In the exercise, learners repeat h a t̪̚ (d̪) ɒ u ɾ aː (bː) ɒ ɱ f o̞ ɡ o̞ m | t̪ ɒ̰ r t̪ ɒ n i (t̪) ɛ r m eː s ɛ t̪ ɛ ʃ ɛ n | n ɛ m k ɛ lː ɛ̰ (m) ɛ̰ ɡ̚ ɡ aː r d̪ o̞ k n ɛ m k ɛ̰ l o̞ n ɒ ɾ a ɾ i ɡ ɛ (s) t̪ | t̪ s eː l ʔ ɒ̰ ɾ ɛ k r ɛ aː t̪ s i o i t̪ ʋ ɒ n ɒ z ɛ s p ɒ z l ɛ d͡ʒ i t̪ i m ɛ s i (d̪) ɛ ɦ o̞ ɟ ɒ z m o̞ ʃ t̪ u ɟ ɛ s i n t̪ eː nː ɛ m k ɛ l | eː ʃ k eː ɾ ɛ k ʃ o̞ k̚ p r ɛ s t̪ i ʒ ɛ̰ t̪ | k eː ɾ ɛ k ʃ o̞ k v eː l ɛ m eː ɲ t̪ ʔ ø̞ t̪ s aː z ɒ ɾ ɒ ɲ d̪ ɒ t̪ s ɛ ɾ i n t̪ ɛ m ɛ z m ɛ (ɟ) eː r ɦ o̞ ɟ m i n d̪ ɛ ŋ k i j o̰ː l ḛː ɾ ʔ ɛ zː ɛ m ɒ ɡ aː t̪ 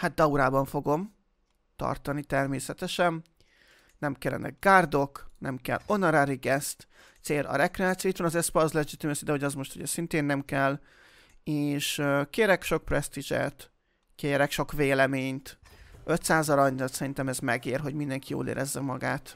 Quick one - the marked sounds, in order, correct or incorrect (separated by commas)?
correct, incorrect, correct, incorrect, correct, correct, incorrect